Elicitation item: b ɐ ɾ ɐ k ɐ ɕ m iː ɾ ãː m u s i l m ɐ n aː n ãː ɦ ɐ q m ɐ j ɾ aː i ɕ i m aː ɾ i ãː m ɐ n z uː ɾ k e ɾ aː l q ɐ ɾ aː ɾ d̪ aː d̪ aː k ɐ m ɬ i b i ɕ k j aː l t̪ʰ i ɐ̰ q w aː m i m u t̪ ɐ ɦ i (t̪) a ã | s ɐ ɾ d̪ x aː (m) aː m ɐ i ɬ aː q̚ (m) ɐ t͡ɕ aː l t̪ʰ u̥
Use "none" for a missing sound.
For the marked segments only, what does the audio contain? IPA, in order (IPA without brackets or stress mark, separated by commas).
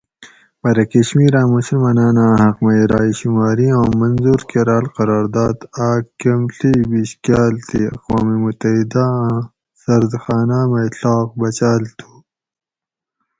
d̪, n, b